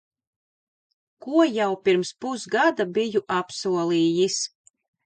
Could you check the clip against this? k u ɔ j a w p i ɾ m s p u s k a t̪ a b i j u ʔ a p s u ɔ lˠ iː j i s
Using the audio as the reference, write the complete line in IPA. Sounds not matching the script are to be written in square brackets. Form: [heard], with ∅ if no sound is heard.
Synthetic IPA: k u ɔ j a w p i ɾ m s p u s [ɡ] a [d̪] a b i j u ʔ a p s u ɔ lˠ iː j i s